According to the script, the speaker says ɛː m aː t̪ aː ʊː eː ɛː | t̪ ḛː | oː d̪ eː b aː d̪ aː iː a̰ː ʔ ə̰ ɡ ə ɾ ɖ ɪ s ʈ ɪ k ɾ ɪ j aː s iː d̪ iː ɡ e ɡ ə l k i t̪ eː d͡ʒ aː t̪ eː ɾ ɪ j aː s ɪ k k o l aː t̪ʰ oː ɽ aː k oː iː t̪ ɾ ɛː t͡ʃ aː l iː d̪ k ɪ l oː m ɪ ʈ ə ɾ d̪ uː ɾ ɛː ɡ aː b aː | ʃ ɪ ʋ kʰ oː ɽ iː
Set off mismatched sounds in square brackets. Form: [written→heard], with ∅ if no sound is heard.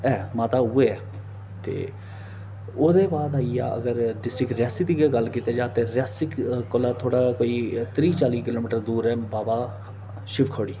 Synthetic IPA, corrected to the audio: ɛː m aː t̪ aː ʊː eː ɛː | t̪ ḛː | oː d̪ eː b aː d̪ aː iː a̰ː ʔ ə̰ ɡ ə ɾ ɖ ɪ s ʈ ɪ k ɾ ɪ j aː s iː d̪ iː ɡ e ɡ ə l k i t̪ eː d͡ʒ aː t̪ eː ɾ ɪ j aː s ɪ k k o l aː t̪ʰ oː ɽ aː k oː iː t̪ ɾ [ɛː→iː] t͡ʃ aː l iː [d̪→∅] k ɪ l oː m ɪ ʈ ə ɾ d̪ uː ɾ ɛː [ɡ→b] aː b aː | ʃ ɪ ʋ kʰ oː ɽ iː